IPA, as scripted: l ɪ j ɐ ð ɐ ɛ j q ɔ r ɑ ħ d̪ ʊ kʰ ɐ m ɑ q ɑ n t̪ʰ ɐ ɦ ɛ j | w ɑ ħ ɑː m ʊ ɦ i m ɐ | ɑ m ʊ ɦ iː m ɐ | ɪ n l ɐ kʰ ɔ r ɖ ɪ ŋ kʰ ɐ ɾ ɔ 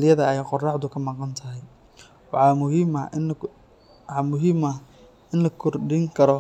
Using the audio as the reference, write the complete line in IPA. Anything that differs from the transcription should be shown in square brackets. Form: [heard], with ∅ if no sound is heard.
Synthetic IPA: l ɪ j ɐ ð ɐ ɛ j q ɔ r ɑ ħ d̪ ʊ kʰ ɐ m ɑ q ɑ n t̪ʰ ɐ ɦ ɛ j | w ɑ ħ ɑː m ʊ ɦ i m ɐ | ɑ m ʊ ɦ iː m ɐ | ɪ n l ɐ kʰ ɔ r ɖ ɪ ŋ kʰ ɐ ɾ ɔ